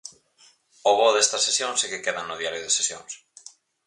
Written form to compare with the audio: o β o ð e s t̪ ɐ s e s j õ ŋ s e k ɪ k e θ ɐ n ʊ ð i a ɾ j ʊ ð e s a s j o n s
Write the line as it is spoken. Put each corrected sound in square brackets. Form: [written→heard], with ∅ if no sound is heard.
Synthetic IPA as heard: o β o ð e s t̪ ɐ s e s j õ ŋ s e k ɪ k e [θ→ð] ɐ n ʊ ð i a ɾ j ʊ ð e s [a→e] s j o [n→ŋ] s